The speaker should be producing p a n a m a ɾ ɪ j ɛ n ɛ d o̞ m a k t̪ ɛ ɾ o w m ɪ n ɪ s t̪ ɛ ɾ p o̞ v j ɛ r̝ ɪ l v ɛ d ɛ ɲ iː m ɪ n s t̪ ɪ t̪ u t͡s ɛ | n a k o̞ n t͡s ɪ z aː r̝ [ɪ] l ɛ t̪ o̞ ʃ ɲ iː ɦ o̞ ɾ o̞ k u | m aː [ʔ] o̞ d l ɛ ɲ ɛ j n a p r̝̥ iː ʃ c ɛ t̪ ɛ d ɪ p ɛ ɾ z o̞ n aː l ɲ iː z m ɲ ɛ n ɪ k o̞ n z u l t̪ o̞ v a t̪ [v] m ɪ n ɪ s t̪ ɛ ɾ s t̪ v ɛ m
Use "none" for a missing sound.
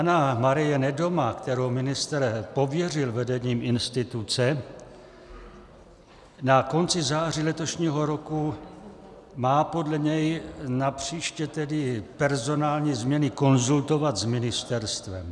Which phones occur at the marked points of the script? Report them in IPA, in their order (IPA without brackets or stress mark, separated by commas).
i, p, z